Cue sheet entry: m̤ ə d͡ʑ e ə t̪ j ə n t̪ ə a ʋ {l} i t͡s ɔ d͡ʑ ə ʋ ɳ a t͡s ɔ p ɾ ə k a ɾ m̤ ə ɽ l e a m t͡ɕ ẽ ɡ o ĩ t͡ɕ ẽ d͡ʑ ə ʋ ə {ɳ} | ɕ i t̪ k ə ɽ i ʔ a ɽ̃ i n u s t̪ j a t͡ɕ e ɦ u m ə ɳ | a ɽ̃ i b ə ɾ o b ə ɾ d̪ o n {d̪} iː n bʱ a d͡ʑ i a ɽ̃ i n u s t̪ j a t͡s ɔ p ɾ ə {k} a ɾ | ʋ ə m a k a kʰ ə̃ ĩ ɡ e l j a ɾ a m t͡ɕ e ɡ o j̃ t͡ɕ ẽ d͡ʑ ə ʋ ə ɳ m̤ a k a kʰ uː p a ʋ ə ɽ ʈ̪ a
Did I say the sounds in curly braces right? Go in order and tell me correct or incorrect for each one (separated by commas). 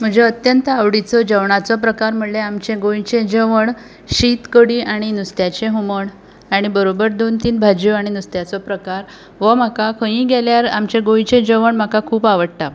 incorrect, correct, incorrect, correct